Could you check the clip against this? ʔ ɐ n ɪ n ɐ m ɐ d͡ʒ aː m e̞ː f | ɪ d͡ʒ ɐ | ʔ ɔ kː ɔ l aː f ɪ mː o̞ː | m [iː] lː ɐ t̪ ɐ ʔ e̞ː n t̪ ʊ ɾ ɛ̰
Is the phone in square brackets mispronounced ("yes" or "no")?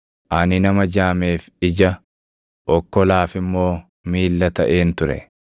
no